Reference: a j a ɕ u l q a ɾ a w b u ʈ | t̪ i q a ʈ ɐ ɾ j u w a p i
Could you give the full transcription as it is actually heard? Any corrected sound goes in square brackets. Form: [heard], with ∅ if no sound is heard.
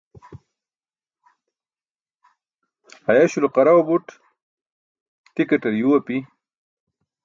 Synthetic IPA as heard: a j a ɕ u l q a ɾ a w b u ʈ | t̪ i [k] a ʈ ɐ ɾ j u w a p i

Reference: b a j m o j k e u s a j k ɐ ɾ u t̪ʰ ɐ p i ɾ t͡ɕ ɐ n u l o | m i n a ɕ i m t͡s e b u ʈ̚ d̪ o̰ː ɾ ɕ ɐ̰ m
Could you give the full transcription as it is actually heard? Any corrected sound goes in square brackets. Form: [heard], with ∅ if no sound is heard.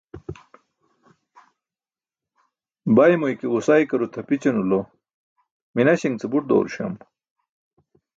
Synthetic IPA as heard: b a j m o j k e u s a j k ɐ ɾ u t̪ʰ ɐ p i [∅] t͡ɕ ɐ n u l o | m i n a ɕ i [ŋ] t͡s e b u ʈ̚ d̪ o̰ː ɾ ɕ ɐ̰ m

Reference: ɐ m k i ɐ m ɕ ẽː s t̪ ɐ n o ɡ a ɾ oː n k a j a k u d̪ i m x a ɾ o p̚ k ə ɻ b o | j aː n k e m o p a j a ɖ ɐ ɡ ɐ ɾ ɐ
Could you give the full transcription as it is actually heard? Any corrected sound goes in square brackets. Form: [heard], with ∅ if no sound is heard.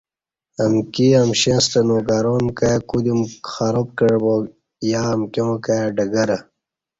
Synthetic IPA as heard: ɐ m k i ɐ m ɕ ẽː s t̪ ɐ n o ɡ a ɾ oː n k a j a k u d̪ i m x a ɾ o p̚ k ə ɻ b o | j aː [m] k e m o [k] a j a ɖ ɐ ɡ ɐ ɾ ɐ

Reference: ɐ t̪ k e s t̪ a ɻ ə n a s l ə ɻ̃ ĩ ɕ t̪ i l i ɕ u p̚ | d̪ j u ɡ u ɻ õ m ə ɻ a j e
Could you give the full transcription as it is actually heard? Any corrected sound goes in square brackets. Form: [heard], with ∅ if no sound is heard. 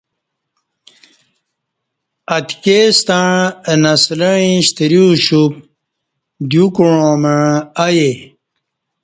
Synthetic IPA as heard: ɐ t̪ k e s t̪ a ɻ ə n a s l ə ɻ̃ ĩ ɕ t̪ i [ɾ] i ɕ u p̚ | d̪ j u [k] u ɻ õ m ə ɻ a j e

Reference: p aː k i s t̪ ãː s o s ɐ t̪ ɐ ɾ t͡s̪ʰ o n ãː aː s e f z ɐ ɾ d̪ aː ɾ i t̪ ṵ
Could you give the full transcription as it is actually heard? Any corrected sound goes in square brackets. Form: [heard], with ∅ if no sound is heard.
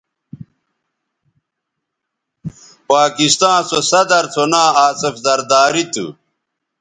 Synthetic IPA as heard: p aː k i s t̪ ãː s o s ɐ [d̪] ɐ ɾ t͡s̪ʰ o n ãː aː s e f z ɐ ɾ d̪ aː ɾ i t̪ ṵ

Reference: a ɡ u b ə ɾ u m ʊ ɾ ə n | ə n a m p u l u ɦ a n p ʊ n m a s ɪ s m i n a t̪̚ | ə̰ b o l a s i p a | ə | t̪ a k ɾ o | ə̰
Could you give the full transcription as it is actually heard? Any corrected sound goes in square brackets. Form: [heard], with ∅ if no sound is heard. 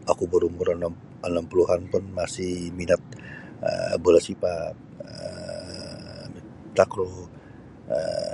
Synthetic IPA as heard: a [k] u b ə ɾ u m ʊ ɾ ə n | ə n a m p u l u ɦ a n p ʊ n m a s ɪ [h] m i n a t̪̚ | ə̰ b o l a s i p a | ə | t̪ a k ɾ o | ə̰

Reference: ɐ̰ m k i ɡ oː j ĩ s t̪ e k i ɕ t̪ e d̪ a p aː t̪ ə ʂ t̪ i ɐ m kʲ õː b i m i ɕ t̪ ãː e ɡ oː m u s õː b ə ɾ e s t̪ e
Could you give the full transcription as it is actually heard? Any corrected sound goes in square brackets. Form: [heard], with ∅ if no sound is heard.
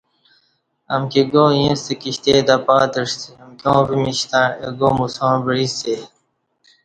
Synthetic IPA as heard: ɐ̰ m k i ɡ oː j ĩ s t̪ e k i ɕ t̪ e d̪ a p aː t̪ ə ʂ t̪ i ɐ m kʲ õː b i m i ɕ t̪ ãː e ɡ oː m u s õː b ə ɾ [i] s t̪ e

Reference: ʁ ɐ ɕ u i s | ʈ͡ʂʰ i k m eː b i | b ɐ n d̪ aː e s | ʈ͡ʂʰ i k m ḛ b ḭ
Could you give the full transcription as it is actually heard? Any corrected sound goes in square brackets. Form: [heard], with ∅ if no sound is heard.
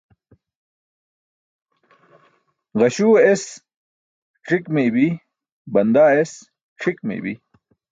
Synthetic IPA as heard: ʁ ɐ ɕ u [e] s | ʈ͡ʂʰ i k m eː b i | b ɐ n d̪ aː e s | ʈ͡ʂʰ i k m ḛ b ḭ

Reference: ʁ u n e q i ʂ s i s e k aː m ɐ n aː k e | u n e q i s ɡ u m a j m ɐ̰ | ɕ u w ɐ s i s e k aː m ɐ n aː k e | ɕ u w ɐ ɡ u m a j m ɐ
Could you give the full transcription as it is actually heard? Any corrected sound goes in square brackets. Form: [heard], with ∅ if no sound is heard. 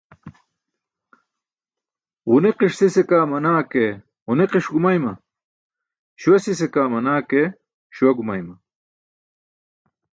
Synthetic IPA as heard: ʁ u n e q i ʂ s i s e k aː m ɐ n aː k e | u n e q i [ʂ] ɡ u m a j m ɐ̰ | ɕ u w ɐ s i s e k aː m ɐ n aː k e | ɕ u w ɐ ɡ u m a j m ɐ

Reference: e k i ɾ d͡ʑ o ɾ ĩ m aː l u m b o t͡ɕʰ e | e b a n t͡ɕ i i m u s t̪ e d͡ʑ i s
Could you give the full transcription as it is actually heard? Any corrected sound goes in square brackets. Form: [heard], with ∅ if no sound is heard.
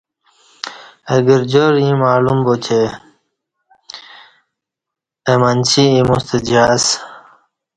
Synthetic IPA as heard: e [ɡ] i ɾ d͡ʑ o ɾ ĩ m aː l u m b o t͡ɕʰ e | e [m] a n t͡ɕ i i m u s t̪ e d͡ʑ [a] s

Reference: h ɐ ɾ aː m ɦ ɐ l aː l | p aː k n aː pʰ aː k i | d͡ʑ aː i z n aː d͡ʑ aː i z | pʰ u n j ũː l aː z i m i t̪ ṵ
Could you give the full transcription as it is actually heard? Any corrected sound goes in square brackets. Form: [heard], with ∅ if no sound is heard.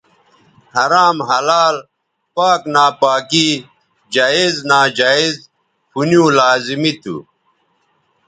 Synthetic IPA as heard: h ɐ ɾ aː m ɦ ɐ l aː l | p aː k n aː [p] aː k i | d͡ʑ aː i z n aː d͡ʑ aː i z | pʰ u n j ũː l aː z i m i t̪ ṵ

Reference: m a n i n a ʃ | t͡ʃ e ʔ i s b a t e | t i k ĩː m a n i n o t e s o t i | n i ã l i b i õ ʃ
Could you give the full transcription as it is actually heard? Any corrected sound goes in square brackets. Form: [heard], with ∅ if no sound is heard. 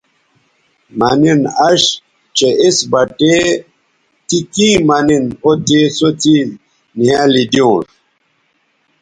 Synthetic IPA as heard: m a n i n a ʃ | t͡ʃ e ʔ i s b a t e | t i k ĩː m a n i n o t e s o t i | n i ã l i [d] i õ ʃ

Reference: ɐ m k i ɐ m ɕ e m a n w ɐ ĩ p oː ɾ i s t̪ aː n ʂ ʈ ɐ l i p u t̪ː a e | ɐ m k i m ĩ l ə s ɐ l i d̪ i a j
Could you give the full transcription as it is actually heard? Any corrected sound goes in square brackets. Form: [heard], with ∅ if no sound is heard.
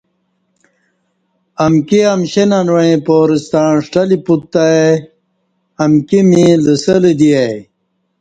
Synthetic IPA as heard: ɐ m k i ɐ m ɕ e [n] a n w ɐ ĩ p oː ɾ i s t̪ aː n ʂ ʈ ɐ l i p u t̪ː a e | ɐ m k i m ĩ l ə s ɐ l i d̪ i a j

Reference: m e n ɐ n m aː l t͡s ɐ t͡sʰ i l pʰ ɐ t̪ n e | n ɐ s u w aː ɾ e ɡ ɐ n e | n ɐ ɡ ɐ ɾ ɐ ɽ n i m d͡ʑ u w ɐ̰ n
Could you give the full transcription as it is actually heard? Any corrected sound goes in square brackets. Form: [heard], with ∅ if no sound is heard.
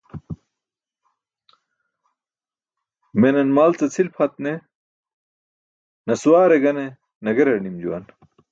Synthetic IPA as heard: m e n ɐ n m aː l t͡s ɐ t͡sʰ i l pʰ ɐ t̪ n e | n ɐ s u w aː ɾ e ɡ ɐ n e | n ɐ ɡ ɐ ɾ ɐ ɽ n i m d͡ʑ u w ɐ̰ n

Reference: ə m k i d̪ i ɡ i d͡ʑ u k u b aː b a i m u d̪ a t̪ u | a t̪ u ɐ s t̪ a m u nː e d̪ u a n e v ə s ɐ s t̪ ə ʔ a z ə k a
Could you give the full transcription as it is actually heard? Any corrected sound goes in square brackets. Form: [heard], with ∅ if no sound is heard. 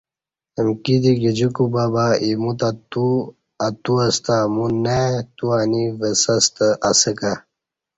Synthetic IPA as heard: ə m k i d̪ i ɡ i d͡ʑ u k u b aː b a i m u [t̪] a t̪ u | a t̪ u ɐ s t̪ a m u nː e [t̪] u a n [i] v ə s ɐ s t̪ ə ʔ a [s] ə k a

